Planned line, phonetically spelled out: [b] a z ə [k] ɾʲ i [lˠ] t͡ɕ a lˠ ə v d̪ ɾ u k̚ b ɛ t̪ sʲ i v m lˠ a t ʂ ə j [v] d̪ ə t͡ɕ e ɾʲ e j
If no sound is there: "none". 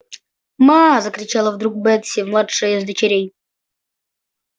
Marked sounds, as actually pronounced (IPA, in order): m, k, none, z

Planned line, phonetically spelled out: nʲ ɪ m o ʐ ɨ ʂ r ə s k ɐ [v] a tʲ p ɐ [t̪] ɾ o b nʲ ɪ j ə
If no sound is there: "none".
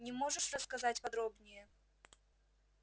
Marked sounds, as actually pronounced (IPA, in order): z, d̪

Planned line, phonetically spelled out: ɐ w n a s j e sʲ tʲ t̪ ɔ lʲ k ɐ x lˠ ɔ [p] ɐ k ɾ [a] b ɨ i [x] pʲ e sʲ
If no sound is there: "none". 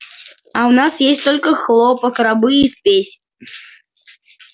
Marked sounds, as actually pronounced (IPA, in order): p, a, s

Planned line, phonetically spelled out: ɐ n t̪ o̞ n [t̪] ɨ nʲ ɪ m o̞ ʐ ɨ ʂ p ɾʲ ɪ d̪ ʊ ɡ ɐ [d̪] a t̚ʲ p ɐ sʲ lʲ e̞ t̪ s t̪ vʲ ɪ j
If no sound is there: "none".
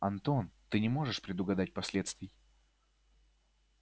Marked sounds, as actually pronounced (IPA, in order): t̪, d̪

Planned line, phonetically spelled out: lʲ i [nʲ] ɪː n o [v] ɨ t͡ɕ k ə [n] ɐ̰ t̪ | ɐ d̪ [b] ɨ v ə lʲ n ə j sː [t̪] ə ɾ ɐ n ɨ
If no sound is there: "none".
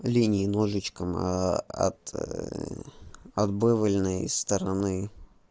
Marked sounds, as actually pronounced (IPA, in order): nʲ, ʐ, m, b, t̪

